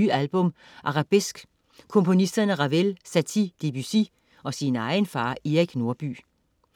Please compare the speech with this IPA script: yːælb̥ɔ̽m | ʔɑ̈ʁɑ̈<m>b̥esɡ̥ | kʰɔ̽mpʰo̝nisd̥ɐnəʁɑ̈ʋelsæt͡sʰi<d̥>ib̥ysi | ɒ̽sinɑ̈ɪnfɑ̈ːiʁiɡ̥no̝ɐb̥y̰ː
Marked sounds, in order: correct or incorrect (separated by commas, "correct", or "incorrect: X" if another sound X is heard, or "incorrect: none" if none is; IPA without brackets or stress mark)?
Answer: incorrect: none, correct